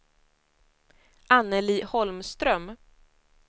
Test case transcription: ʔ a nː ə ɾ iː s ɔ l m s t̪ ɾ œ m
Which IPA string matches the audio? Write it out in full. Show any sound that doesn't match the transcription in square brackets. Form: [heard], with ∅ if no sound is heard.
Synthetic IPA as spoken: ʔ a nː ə [l] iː [h] ɔ l m s t̪ ɾ œ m